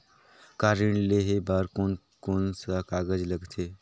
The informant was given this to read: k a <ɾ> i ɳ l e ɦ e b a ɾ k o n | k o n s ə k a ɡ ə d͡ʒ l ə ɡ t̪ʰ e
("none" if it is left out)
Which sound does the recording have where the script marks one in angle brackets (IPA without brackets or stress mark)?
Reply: ɾ